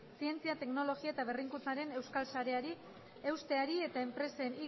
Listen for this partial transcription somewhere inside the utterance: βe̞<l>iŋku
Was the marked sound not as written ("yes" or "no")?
yes